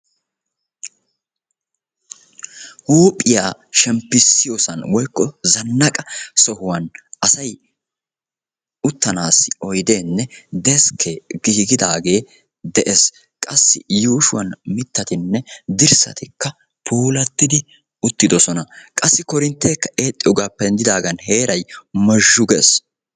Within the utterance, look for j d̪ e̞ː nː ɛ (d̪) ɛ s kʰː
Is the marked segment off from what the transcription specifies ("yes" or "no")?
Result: no